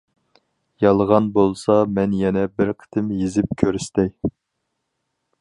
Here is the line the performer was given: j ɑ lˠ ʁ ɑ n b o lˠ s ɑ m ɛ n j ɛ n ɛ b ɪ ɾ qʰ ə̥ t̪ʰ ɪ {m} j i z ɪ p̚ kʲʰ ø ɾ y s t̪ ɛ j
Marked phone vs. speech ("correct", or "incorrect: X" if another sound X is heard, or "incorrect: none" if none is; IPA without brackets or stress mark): correct